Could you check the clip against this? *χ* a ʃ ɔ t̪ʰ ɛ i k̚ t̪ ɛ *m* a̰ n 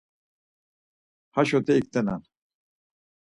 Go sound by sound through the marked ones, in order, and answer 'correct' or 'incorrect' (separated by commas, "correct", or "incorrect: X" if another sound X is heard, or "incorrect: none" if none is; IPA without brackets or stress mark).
incorrect: h, incorrect: n